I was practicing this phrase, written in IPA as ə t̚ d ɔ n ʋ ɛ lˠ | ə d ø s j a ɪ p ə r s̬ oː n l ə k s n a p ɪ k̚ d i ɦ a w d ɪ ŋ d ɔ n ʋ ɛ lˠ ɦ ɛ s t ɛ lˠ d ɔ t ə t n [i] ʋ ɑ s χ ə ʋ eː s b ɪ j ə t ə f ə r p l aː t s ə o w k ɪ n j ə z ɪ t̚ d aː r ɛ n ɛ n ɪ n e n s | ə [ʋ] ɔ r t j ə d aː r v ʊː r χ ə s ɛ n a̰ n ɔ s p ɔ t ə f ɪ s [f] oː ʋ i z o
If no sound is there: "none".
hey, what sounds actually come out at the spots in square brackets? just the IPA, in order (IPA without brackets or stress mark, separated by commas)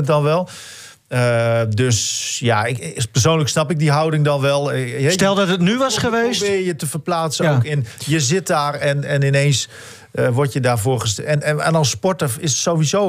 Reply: y, ʋ, s